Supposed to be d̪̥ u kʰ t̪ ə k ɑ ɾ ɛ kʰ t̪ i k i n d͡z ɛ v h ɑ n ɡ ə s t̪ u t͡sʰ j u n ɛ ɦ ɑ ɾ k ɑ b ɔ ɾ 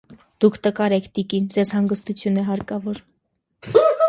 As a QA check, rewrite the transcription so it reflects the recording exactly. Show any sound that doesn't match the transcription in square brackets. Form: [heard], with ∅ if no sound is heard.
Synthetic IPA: d̪̥ u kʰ t̪ ə k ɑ ɾ ɛ kʰ t̪ i k i n d͡z ɛ [z] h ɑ [ŋ] ɡ ə s t̪ u t͡sʰ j u n ɛ ɦ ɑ ɾ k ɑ [v] ɔ ɾ